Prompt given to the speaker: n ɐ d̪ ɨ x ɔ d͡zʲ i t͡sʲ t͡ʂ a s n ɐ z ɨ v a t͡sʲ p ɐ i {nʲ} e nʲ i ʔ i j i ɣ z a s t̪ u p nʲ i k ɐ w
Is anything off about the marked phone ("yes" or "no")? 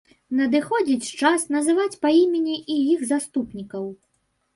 yes